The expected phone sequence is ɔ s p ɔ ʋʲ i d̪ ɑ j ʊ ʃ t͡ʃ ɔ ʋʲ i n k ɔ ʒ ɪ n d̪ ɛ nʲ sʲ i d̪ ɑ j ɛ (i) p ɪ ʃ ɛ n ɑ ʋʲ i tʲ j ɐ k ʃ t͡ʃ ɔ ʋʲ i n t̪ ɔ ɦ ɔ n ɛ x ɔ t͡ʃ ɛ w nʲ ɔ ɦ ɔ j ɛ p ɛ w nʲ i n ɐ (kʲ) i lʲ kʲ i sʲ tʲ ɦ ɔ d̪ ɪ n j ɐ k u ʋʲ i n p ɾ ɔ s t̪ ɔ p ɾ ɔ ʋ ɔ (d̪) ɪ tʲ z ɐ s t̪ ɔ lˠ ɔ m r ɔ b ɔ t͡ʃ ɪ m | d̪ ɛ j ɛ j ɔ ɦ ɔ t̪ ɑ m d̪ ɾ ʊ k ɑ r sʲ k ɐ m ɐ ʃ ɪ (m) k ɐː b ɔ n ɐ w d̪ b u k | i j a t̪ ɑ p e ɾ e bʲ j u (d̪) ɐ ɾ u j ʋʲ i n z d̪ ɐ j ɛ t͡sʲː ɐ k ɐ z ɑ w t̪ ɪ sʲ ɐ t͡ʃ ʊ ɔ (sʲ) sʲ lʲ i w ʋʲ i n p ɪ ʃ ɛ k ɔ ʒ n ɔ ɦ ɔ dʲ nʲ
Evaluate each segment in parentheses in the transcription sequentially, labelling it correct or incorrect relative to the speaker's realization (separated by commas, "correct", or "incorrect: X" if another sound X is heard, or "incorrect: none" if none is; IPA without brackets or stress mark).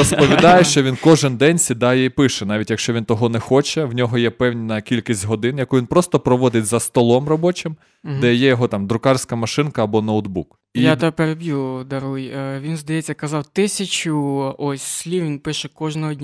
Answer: correct, correct, correct, incorrect: n, correct, correct